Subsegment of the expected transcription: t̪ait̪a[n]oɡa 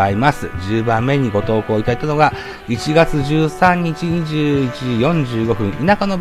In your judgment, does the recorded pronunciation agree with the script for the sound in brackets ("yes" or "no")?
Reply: yes